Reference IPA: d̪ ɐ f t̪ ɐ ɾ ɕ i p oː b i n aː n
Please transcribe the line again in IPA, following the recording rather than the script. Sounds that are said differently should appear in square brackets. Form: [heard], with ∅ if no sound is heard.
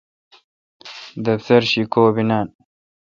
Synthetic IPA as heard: d̪ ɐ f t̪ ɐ ɾ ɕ i [k] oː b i n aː n